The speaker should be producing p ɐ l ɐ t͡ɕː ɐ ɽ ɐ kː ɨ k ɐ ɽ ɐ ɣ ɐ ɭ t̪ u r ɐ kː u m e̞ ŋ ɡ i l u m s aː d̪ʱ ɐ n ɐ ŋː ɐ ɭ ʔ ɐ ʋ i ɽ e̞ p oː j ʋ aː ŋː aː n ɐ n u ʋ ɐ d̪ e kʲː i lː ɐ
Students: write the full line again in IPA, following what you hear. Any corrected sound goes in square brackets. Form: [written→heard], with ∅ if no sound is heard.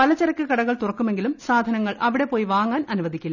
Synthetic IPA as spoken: p ɐ l ɐ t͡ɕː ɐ [ɽ→ɾ] ɐ kː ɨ k ɐ ɽ ɐ ɣ ɐ ɭ t̪ u r ɐ kː u m e̞ ŋ ɡ i l u m s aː d̪ʱ ɐ n ɐ ŋː ɐ ɭ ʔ ɐ ʋ i ɽ e̞ p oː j ʋ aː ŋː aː n ɐ n u ʋ ɐ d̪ [e→i] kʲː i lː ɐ